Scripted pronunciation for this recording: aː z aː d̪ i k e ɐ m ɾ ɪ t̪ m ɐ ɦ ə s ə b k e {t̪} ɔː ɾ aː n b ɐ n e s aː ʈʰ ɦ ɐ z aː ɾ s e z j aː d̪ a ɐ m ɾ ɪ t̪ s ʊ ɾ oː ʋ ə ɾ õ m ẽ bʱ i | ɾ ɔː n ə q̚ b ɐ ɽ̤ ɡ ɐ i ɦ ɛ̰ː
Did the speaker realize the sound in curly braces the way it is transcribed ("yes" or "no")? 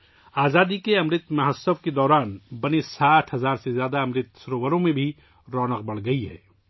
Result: no